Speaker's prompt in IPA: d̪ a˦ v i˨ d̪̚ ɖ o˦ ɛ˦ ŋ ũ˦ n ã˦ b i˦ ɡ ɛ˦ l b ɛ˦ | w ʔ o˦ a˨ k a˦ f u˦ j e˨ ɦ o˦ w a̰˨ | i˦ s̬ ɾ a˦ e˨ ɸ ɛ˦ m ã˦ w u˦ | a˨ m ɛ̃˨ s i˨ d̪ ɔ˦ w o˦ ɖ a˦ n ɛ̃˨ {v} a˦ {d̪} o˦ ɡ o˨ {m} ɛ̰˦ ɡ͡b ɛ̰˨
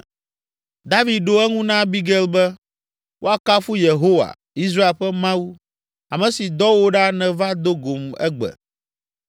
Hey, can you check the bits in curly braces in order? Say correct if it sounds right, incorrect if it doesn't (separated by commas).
correct, correct, correct